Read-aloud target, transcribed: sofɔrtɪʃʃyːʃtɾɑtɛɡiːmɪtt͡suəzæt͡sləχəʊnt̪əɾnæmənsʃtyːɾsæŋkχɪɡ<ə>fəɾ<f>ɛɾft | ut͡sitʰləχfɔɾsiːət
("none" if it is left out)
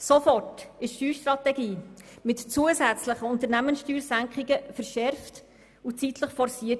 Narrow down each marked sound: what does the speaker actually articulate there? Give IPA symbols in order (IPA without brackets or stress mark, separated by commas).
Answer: ə, ʃ